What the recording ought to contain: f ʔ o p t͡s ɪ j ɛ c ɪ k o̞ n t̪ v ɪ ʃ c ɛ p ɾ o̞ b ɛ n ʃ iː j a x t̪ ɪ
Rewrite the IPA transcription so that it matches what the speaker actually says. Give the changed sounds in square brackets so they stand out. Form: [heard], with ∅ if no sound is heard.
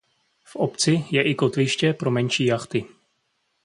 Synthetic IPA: f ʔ o p t͡s ɪ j ɛ [ʔ] ɪ k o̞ [∅] t̪ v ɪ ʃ c ɛ p ɾ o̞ [m] ɛ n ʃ iː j a x t̪ ɪ